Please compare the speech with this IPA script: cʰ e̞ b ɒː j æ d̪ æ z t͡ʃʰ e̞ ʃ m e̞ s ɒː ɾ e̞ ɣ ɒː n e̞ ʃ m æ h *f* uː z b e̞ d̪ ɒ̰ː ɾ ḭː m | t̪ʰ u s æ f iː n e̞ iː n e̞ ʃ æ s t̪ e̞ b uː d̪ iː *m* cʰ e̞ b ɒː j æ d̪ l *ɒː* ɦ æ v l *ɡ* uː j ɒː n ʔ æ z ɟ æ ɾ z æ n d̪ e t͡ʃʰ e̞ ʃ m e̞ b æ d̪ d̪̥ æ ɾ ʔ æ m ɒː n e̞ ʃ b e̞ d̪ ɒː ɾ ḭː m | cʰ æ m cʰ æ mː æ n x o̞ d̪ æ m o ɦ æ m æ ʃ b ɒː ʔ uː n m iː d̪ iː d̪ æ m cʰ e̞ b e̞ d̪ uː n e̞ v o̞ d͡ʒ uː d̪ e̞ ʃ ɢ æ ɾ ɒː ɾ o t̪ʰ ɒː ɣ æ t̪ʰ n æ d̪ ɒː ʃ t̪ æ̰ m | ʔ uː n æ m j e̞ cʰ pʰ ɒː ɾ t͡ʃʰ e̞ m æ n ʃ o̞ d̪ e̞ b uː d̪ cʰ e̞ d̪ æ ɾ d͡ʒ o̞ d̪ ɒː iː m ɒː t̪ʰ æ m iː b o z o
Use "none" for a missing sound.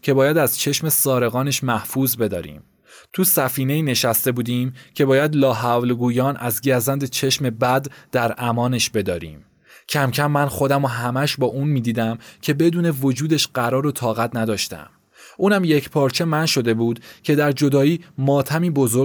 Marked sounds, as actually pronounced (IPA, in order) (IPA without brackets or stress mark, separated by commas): f, m, ɒː, ɡ